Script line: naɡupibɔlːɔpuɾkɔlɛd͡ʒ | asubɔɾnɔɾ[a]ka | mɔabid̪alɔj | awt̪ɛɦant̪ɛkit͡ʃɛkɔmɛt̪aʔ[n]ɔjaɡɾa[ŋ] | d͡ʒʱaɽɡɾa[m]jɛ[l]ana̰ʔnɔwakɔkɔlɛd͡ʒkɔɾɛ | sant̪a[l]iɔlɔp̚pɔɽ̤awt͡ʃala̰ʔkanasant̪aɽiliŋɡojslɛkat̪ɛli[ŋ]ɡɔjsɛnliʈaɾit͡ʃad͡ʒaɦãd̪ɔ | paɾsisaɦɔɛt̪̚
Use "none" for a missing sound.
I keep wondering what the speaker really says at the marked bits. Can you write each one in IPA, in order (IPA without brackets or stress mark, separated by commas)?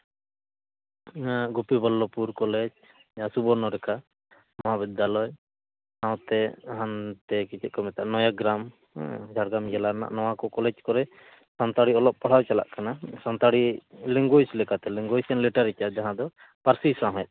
ɛ, n, m, m, l, ɽ, ŋ